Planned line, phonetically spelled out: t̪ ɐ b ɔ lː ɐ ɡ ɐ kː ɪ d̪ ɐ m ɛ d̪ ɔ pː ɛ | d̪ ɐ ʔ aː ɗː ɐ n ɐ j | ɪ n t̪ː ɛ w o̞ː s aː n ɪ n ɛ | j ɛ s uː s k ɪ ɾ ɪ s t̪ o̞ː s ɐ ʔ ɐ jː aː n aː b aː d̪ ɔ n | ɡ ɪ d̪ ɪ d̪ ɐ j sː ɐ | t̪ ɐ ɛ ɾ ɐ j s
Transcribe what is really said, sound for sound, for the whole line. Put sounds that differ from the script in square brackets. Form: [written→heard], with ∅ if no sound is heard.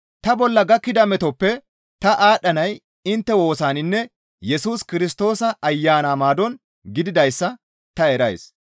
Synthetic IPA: t̪ ɐ b ɔ lː ɐ ɡ ɐ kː ɪ d̪ ɐ m ɛ [d̪→t̪] ɔ pː ɛ | [d̪→t̪] ɐ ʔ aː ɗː ɐ n ɐ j | ɪ n t̪ː ɛ w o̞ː s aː n ɪ [n→nː] ɛ | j ɛ s uː s k ɪ ɾ ɪ s t̪ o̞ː s ɐ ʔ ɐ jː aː n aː [b→m] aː d̪ ɔ n | ɡ ɪ d̪ ɪ d̪ ɐ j sː ɐ | t̪ ɐ ɛ ɾ ɐ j s